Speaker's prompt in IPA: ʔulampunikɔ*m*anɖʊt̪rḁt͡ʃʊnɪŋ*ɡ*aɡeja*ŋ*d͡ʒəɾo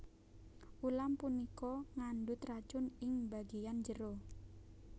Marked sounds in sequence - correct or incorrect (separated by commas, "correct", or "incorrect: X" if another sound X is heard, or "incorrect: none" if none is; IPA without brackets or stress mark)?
incorrect: ŋ, incorrect: b, incorrect: n